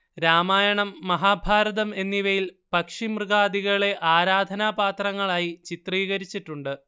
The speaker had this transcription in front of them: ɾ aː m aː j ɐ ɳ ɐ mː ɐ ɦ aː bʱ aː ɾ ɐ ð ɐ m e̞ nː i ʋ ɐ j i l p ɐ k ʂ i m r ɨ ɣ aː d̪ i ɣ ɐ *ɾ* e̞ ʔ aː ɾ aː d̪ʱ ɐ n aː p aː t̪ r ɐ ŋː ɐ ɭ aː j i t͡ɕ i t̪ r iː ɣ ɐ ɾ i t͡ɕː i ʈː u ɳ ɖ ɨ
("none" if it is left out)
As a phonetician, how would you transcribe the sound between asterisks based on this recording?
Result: ɭ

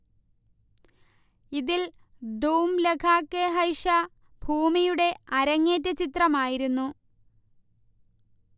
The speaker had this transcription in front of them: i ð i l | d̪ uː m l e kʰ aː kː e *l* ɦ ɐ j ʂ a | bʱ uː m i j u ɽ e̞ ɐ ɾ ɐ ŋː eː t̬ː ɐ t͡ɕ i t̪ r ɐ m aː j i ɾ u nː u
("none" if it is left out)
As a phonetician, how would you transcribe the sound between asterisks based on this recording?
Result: none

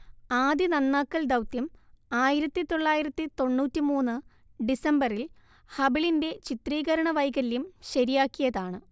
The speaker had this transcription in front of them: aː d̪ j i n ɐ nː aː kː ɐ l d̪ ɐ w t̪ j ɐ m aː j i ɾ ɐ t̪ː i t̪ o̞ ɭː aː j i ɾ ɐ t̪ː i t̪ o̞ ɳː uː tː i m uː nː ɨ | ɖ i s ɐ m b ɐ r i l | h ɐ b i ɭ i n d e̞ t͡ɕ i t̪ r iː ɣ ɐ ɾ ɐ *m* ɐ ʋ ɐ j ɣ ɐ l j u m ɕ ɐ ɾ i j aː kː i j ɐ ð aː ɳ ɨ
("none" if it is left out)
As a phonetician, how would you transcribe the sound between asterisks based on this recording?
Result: ɳ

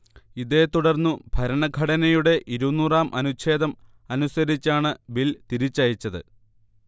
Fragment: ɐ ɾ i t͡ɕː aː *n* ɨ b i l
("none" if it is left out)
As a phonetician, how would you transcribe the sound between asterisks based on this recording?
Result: ɳ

